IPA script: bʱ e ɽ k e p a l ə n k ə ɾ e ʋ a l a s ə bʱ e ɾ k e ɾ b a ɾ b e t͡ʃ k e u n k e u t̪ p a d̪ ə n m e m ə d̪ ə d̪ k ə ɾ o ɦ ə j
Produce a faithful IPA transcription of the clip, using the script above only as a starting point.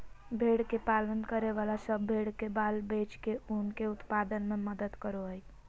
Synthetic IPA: bʱ e ɽ k e p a l ə n k ə ɾ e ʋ a l a s ə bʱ e ɽ k e b a l b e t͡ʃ k e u n k e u t̪ p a d̪ ə n m e m ə d̪ ə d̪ k ə ɾ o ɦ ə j